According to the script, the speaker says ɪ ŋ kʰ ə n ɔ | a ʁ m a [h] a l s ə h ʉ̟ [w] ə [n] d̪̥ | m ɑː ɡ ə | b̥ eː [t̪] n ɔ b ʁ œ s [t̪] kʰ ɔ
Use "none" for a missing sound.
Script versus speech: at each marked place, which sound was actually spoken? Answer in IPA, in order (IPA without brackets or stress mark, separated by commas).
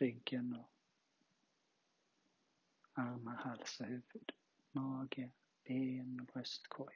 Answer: h, v, none, none, t̪